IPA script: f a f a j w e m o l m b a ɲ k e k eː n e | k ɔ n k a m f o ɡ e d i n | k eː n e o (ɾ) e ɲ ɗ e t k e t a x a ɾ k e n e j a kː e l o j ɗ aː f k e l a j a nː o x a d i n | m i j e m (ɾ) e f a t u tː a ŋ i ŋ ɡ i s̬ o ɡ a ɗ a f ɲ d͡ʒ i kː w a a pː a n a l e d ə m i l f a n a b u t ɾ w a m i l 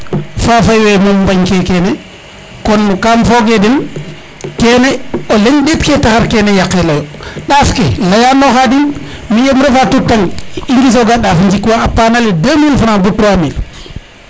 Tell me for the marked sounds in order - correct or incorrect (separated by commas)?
incorrect, correct